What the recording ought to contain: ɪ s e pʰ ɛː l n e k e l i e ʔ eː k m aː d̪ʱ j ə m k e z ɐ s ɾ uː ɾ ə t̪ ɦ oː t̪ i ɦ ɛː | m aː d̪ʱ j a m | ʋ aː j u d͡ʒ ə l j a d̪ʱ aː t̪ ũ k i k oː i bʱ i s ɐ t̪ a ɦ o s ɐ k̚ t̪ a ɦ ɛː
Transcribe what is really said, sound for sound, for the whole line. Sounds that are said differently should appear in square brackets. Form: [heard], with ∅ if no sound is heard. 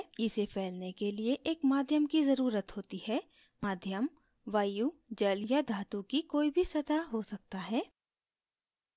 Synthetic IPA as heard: ɪ s e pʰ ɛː l n e k e l i e ʔ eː k m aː d̪ʱ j ə m k [i] z ɐ [∅] ɾ uː ɾ ə t̪ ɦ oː t̪ i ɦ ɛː | m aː d̪ʱ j [ə] m | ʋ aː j u d͡ʒ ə l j a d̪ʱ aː t̪ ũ k i k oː i bʱ i s ɐ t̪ a ɦ o s ɐ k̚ t̪ a ɦ ɛː